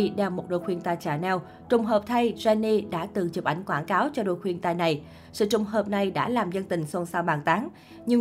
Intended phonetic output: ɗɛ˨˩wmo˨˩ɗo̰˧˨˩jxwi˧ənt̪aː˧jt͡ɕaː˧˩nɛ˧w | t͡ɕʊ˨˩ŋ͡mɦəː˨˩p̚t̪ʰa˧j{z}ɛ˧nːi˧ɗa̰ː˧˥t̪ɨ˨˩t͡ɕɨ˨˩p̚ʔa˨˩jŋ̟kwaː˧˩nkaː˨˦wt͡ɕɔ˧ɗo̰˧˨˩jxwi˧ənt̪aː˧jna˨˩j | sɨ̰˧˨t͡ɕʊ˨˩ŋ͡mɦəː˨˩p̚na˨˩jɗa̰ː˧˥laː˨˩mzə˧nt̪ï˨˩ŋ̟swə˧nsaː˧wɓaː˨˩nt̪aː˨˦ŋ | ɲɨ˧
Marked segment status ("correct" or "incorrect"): correct